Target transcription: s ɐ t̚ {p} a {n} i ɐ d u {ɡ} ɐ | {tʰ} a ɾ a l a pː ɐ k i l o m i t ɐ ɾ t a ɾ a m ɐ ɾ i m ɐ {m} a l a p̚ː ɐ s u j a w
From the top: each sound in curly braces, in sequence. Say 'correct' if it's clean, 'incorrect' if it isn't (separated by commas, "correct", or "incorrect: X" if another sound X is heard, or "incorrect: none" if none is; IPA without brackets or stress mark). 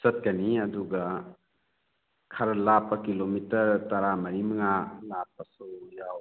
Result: incorrect: k, correct, correct, incorrect: kʰ, incorrect: ŋ